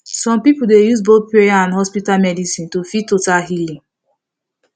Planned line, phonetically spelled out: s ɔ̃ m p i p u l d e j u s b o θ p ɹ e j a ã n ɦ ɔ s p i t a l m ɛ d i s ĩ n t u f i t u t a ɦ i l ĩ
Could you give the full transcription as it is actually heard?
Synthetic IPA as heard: s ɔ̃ m p i p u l d e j u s b o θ p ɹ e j a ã n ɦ ɔ s p i t a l m ɛ d i s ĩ n t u f i t o t a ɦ i l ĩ